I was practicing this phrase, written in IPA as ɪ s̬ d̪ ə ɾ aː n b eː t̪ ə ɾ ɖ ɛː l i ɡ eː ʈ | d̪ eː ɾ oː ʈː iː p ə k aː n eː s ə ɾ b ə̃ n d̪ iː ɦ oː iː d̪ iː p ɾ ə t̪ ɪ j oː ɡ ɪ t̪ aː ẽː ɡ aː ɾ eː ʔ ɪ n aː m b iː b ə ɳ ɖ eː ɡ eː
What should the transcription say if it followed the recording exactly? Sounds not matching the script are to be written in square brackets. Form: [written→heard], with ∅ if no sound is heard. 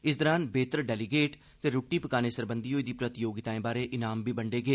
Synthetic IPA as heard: ɪ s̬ d̪ ə ɾ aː n b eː t̪ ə ɾ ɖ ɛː l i ɡ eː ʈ | [d̪→t̪] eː ɾ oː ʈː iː p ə k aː n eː s ə ɾ b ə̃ n d̪ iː ɦ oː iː d̪ iː p ɾ ə t̪ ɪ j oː ɡ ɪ t̪ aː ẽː [ɡ→b] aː ɾ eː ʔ ɪ n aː m b iː b ə ɳ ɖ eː ɡ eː